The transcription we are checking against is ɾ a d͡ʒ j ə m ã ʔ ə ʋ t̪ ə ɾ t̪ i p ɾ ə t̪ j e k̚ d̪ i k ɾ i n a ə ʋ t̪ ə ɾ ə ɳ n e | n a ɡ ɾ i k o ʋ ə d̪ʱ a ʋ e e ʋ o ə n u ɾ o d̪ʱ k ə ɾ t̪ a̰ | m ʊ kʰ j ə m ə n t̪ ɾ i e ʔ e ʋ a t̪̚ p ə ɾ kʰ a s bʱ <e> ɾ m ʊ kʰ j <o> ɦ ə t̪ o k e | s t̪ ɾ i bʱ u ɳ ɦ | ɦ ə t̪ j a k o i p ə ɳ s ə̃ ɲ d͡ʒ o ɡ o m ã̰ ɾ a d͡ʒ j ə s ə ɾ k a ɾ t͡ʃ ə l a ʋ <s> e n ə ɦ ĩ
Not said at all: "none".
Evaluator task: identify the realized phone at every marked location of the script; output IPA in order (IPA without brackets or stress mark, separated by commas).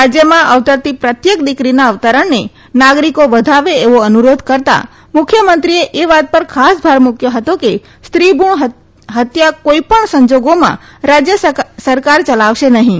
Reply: a, o, ʃ